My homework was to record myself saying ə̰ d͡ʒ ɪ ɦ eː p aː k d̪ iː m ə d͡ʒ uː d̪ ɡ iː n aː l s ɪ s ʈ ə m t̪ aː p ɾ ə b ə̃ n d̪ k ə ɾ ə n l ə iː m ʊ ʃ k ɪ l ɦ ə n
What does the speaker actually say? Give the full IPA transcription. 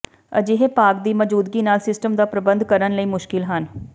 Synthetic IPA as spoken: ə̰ d͡ʒ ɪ ɦ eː p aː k d̪ iː m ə d͡ʒ uː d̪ ɡ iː n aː l s ɪ s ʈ ə m d̪ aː p ɾ ə b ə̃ n d̪ k ə ɾ ə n l ə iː m ʊ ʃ k ɪ l ɦ ə n